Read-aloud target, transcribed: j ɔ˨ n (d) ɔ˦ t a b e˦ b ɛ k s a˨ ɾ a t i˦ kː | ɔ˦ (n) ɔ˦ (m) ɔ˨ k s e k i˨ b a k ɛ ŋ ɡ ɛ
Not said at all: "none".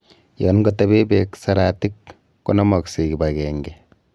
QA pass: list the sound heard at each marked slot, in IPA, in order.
ɡ, n, m

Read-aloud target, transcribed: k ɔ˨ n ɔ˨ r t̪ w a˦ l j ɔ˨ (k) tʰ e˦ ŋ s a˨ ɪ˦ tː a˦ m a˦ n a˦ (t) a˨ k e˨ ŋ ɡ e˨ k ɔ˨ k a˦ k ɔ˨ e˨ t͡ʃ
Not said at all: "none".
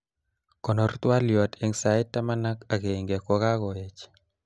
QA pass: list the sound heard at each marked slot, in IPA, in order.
none, k

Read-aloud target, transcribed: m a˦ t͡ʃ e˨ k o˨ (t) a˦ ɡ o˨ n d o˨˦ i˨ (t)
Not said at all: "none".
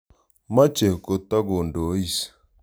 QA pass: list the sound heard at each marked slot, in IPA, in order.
t, s

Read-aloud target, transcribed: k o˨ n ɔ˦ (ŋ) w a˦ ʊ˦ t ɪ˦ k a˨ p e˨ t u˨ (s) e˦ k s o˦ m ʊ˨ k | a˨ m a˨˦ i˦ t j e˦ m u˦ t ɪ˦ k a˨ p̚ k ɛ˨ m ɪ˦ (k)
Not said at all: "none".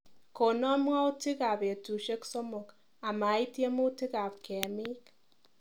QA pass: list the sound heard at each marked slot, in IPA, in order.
m, ʃ, k

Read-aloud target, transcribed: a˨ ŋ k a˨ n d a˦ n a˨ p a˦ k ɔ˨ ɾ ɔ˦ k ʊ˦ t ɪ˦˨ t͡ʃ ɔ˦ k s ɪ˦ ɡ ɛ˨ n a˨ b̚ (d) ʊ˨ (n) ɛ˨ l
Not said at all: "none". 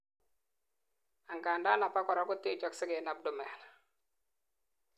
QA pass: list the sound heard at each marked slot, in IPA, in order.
d, m

